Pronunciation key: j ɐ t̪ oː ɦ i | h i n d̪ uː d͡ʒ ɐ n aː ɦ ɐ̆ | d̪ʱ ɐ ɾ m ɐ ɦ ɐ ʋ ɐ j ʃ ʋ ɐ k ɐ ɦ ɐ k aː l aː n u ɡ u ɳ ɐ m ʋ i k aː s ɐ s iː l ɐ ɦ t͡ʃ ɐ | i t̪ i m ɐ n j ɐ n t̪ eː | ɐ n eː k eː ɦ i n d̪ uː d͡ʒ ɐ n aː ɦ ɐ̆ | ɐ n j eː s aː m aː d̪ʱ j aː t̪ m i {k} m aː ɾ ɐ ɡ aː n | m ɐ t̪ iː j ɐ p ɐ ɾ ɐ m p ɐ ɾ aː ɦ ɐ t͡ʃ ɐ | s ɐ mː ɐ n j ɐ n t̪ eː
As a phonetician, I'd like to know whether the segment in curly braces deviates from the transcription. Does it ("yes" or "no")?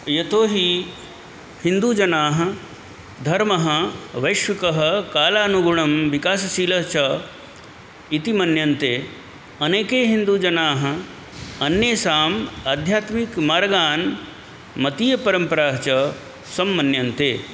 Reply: no